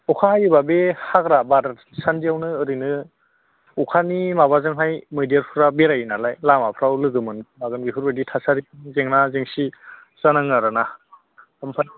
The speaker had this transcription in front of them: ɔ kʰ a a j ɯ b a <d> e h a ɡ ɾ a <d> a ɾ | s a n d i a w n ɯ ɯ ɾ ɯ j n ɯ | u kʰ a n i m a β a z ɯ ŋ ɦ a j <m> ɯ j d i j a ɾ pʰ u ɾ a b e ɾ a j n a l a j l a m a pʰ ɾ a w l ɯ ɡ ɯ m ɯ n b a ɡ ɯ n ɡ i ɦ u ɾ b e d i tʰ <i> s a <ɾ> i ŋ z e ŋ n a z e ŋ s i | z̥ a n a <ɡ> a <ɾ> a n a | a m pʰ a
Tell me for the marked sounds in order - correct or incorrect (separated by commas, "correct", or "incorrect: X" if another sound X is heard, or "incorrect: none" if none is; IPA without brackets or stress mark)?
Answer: incorrect: b, incorrect: b, correct, incorrect: a, correct, incorrect: ŋ, correct